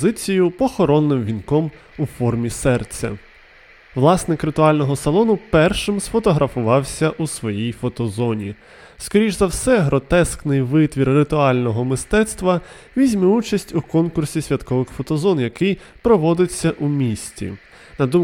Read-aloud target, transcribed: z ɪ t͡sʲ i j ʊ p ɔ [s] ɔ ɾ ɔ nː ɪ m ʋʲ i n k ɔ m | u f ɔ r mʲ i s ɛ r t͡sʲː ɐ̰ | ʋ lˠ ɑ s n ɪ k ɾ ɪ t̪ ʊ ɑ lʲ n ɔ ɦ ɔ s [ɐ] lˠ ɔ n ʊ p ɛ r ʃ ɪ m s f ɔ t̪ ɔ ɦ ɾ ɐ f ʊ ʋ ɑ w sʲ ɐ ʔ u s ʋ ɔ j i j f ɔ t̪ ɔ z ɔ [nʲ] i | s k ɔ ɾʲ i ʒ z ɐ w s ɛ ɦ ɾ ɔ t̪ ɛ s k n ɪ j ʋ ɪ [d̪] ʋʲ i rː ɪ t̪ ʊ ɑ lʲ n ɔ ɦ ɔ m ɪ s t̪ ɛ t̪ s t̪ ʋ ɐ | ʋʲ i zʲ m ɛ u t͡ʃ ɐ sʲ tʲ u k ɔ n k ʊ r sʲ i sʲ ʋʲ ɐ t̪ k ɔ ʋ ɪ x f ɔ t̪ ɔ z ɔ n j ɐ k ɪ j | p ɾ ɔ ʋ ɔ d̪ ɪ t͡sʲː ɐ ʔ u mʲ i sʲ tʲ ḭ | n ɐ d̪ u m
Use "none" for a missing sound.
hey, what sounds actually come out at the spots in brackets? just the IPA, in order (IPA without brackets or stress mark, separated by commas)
x, ɐ, nʲ, t̪